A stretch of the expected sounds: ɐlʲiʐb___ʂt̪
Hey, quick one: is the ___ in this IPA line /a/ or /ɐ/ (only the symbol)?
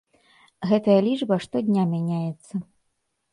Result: ɐ